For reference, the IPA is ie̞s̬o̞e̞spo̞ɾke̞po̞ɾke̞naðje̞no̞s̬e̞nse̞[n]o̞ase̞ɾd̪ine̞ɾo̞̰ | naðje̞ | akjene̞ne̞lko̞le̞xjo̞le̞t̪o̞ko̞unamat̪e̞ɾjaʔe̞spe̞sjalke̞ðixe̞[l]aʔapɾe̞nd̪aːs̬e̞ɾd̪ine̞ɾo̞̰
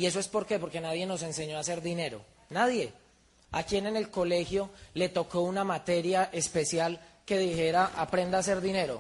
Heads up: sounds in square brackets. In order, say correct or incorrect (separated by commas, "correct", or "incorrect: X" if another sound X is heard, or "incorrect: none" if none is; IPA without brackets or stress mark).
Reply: incorrect: ɲ, incorrect: ɾ